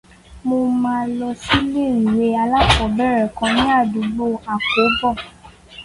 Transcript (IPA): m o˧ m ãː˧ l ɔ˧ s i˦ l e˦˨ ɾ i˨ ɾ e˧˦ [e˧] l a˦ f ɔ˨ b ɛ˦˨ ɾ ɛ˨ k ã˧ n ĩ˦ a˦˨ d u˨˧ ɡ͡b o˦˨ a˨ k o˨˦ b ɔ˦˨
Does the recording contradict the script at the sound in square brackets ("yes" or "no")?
yes